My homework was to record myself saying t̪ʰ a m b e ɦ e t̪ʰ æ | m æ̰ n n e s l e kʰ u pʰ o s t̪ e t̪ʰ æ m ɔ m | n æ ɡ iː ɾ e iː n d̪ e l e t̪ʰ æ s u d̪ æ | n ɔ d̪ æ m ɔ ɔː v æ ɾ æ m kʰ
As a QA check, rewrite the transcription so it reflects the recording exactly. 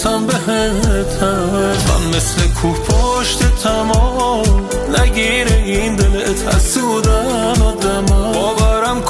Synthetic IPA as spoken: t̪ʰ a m b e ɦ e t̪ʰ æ | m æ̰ n m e s l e kʰ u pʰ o ʃ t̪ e t̪ʰ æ m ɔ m | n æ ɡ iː ɾ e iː n d̪ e l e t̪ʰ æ s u d̪ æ | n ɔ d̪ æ m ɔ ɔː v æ ɾ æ m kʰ